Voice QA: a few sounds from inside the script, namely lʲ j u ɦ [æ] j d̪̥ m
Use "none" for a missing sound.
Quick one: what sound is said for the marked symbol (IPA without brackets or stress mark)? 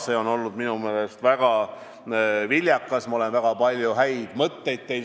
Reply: æ